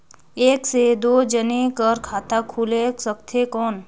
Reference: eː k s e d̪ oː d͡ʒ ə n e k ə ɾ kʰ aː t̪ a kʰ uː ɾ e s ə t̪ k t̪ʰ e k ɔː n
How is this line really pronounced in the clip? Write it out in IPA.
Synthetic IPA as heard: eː k s e d̪ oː d͡ʒ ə n e k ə ɾ kʰ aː t̪ a kʰ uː l e s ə k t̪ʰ e k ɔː n